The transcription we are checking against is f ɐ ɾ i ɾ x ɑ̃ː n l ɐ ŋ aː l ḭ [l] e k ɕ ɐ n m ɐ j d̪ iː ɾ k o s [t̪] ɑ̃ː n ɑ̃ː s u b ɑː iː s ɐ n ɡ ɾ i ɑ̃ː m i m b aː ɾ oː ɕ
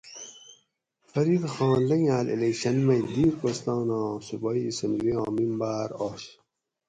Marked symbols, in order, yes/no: yes, yes

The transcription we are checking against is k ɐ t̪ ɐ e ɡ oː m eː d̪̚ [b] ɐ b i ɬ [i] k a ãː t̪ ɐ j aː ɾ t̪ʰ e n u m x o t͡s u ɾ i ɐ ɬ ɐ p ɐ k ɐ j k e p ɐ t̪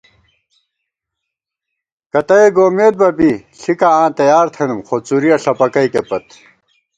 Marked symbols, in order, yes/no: yes, yes

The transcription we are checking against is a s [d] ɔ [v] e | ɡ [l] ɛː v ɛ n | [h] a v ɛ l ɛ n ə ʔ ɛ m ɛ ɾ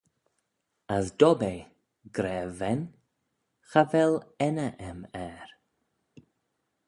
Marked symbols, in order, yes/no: yes, no, no, no

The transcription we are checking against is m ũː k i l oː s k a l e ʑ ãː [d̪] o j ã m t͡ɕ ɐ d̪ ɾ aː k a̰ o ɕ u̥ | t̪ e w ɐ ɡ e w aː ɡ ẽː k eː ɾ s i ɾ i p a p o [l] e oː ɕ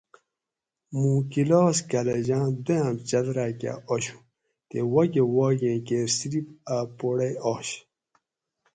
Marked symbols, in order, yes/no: yes, no

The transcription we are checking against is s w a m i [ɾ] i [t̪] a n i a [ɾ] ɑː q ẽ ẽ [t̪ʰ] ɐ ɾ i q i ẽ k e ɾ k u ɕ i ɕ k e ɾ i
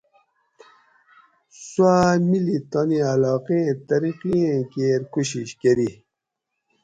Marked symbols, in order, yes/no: no, yes, no, no

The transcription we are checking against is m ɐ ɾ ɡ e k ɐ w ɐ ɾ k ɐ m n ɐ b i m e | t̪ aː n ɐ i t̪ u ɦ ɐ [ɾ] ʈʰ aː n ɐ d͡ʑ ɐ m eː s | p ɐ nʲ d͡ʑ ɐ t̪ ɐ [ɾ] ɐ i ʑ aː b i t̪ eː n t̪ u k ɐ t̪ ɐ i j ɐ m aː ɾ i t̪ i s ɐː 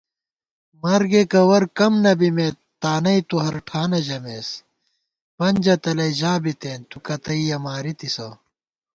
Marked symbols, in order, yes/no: yes, no

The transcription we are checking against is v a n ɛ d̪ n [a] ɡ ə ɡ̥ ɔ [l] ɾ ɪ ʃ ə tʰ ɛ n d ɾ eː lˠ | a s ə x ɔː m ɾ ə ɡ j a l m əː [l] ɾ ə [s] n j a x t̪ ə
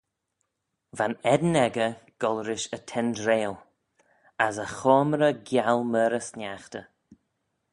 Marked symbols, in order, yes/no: no, yes, no, yes

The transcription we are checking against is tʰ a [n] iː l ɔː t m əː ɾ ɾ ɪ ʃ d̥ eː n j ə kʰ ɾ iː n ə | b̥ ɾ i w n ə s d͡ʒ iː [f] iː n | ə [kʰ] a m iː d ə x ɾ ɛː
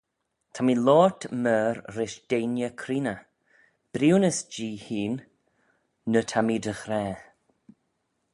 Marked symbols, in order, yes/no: no, no, no

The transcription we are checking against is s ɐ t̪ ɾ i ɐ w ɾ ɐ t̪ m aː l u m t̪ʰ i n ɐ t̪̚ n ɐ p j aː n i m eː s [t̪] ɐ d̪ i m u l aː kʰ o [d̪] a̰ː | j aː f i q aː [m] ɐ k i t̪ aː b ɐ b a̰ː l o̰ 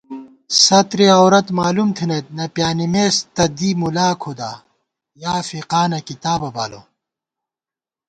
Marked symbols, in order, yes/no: yes, yes, no

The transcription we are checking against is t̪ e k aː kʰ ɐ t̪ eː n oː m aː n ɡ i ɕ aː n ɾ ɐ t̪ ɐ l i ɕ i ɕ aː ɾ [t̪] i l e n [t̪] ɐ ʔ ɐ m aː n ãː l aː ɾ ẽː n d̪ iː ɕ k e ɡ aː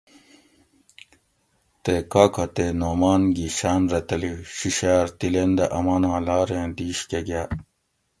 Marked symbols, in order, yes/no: yes, no

